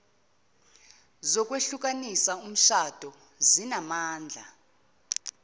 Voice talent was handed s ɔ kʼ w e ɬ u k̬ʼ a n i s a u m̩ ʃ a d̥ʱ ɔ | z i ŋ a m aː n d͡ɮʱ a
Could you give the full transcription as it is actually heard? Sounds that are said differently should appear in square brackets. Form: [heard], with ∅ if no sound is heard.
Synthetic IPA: [z] ɔ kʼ w e ɬ u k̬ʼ a n i s a u m̩ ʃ a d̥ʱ ɔ | z i [n] a m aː n d͡ɮʱ a